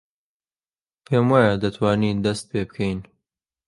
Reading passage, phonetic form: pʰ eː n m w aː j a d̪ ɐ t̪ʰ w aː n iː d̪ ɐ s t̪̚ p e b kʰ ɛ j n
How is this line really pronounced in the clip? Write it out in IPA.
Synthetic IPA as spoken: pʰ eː m w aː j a d̪ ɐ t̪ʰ w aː n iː d̪ ɐ s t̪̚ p e b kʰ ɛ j n